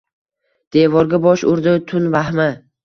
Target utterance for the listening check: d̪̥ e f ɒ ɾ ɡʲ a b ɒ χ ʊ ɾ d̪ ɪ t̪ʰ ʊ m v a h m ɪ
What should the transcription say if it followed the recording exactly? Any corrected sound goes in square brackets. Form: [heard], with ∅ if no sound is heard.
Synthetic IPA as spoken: d̪̥ e [v] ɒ ɾ ɡʲ a b ɒ [ʃ] ʊ ɾ d̪ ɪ t̪ʰ ʊ [n] v a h m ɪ